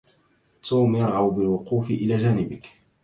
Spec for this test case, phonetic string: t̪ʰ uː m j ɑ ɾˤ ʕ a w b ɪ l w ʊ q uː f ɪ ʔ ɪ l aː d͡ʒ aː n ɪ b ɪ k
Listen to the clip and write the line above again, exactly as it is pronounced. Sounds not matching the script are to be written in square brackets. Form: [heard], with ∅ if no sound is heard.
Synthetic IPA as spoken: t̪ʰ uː m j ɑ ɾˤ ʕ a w b ɪ l w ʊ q uː f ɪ ʔ ɪ l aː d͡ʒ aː n ɪ b ɪ k